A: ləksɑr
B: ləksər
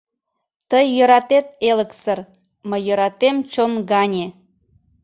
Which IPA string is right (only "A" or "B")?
B